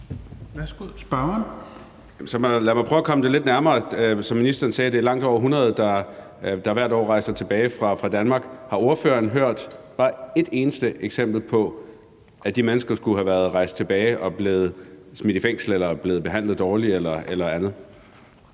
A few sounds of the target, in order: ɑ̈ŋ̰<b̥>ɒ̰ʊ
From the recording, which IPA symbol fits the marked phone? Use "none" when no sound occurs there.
d̥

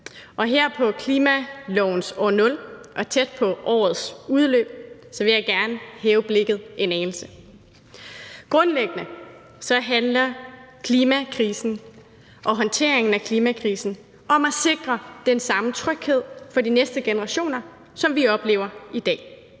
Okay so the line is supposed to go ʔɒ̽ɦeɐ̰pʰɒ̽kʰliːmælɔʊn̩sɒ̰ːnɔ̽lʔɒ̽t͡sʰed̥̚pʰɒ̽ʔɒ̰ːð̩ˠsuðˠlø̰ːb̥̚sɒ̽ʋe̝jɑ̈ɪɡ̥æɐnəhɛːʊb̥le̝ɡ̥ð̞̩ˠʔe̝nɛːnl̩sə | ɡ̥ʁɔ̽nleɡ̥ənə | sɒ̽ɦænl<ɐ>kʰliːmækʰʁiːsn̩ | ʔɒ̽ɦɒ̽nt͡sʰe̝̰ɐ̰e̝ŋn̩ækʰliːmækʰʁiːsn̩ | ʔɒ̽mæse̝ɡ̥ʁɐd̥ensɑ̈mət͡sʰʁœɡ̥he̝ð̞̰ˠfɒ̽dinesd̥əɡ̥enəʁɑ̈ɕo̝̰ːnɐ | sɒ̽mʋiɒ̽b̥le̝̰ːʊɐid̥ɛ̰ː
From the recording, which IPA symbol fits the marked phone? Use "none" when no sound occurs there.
ɐ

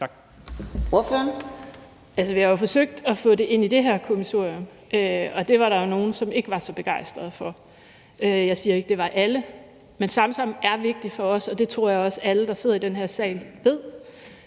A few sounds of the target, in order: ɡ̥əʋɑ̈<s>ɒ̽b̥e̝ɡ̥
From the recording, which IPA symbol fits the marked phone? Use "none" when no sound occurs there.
s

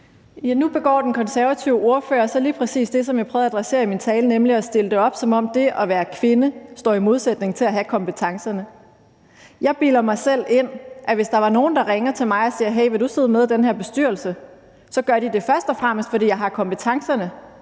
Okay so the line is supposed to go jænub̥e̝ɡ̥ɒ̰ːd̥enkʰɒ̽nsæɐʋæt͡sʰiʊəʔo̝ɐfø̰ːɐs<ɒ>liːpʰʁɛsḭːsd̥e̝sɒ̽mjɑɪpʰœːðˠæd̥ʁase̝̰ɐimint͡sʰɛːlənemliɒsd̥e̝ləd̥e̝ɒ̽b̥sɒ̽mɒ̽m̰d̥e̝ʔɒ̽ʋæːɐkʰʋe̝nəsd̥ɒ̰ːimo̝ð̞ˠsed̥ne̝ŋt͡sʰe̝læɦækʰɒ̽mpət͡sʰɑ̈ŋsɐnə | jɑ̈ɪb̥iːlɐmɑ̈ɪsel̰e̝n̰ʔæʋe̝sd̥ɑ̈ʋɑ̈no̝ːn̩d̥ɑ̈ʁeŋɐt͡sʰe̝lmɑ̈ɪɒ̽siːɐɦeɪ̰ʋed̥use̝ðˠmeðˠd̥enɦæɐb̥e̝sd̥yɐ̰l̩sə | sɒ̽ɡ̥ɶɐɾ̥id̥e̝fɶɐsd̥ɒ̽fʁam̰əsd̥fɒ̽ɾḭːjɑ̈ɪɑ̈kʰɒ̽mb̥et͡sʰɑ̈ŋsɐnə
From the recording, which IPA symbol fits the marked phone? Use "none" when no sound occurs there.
ɒ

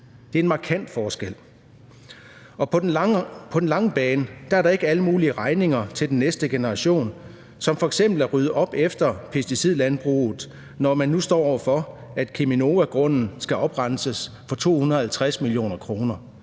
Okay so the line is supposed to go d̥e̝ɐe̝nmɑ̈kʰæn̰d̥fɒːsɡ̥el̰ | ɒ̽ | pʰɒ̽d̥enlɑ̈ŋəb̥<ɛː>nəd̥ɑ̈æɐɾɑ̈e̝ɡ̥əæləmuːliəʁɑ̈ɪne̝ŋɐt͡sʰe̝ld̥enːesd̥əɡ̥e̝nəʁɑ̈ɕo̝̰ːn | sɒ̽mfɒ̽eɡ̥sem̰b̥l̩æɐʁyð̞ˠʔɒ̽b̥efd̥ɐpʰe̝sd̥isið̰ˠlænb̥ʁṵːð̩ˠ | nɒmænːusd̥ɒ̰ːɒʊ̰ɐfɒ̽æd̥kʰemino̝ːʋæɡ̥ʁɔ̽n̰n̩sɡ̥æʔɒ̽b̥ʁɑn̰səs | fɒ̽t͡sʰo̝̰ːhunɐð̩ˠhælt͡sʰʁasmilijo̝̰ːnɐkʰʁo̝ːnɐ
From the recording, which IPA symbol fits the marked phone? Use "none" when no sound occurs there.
ɛː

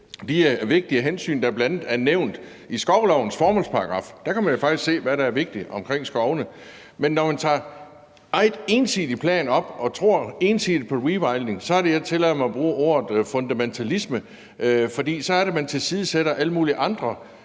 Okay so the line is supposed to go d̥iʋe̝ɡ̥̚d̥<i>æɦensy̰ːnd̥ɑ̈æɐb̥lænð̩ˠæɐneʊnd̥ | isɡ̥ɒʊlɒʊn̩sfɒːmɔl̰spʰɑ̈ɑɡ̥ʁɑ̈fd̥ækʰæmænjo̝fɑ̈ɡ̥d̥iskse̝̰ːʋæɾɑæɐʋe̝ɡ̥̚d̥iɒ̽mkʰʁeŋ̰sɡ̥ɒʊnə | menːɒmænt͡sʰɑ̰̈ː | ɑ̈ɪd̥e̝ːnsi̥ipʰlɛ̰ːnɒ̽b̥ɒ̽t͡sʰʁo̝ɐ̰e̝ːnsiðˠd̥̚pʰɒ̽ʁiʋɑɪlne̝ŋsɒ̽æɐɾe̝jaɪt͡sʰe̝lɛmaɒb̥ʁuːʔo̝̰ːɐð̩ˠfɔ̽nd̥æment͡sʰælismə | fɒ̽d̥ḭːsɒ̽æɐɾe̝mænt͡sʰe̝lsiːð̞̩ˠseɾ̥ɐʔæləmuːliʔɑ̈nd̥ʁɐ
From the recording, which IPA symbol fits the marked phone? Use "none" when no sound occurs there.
i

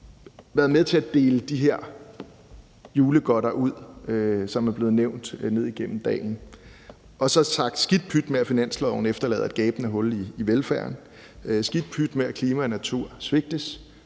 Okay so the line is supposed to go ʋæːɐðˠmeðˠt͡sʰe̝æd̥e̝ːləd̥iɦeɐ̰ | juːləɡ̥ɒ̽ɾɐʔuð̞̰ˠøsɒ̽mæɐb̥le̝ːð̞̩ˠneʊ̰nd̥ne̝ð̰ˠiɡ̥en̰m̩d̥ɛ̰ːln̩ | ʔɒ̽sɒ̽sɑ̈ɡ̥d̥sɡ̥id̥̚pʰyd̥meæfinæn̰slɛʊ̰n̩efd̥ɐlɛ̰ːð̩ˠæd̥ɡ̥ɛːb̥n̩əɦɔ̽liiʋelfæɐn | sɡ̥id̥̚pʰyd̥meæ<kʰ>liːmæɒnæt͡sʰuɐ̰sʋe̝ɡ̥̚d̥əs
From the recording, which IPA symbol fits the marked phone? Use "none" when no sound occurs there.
kʰ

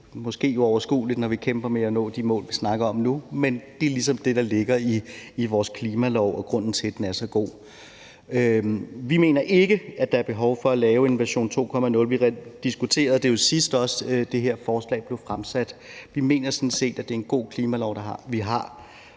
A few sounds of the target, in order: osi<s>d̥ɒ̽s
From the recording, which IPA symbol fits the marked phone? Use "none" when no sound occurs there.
s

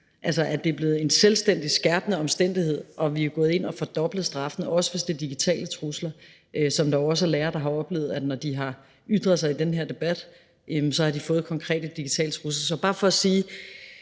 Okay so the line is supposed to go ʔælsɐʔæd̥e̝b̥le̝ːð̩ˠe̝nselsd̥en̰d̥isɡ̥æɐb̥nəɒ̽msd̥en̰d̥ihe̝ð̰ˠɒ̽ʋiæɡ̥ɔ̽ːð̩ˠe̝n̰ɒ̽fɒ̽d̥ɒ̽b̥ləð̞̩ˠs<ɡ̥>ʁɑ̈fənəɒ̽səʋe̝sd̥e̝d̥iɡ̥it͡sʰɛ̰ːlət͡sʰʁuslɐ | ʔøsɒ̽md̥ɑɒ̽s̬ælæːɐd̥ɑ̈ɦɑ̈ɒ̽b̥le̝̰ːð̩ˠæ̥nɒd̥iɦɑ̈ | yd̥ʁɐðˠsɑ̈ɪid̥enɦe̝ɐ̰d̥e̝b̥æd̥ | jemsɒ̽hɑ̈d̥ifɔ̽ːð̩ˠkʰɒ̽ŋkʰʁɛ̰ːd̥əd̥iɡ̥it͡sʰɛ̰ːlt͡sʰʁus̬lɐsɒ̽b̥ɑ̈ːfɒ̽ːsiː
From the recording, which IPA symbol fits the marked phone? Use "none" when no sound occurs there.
d̥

